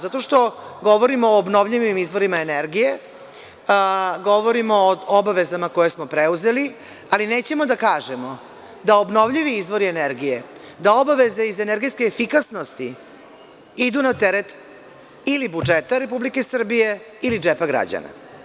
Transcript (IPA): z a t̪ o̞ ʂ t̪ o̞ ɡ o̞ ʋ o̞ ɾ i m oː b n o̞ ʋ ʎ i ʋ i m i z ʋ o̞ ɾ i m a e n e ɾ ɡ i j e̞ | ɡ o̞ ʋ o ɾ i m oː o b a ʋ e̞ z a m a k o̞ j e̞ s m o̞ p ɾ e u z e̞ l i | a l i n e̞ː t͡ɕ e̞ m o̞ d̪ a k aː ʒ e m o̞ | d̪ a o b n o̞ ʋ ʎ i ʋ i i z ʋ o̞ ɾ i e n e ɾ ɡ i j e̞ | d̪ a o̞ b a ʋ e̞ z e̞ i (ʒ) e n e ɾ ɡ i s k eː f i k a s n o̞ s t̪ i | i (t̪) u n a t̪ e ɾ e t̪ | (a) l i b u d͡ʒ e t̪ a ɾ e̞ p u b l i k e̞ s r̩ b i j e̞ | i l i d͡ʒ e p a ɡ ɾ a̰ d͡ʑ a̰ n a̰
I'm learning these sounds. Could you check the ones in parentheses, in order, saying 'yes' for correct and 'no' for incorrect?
no, no, no

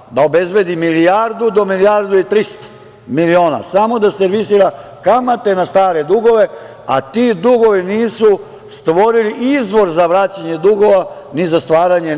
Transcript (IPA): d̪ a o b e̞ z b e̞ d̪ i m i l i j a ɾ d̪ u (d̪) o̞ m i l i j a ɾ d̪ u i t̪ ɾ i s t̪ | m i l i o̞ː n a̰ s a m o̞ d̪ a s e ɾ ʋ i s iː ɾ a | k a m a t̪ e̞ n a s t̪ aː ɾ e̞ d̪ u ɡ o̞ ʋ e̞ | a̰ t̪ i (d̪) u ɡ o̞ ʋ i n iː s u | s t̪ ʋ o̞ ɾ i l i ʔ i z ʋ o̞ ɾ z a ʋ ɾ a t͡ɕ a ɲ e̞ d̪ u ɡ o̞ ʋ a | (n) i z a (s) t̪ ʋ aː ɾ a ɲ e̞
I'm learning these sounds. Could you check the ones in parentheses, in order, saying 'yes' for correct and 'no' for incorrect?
yes, yes, yes, yes

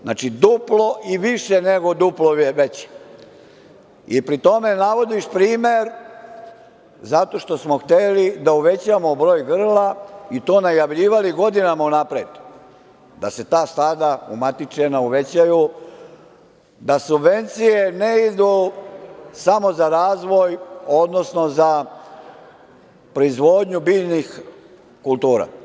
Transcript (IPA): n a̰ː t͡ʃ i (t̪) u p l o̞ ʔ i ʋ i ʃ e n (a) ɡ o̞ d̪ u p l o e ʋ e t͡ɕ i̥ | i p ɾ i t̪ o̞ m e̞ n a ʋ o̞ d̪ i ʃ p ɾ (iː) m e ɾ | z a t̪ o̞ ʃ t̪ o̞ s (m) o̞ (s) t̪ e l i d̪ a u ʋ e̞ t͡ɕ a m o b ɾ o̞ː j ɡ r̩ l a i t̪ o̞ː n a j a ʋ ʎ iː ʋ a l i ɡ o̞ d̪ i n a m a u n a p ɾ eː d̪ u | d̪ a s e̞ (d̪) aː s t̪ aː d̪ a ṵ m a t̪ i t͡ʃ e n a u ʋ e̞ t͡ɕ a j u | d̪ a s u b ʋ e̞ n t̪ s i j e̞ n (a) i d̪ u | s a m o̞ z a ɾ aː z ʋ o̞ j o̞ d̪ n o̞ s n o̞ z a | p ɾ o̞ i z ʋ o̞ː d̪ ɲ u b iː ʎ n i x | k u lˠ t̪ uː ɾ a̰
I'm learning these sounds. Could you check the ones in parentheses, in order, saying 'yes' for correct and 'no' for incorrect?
no, no, yes, yes, no, no, no

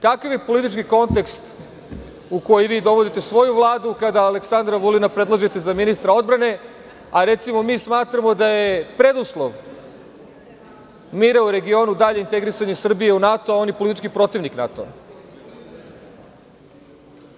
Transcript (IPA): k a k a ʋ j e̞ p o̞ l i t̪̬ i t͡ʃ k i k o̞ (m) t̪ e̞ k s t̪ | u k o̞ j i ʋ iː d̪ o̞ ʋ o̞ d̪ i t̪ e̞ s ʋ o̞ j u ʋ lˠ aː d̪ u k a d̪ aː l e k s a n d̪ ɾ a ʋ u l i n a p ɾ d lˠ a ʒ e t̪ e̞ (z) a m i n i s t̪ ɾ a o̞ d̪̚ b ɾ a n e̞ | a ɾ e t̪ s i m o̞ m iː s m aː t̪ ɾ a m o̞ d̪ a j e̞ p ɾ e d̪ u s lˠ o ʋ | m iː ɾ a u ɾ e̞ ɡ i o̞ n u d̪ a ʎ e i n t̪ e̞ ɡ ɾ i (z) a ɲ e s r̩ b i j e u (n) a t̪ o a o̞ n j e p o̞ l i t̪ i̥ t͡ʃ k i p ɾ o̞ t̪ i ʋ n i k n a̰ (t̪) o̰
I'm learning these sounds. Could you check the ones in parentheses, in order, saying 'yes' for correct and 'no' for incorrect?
no, yes, no, yes, yes

